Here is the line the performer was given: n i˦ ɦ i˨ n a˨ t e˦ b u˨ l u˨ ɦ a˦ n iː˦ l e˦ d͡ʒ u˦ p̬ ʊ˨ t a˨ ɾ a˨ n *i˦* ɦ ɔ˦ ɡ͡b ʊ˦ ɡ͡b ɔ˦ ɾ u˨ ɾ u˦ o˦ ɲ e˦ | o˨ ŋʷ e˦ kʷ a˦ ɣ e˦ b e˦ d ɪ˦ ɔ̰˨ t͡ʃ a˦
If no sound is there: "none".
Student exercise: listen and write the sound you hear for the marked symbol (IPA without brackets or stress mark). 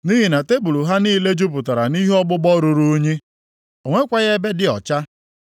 i˦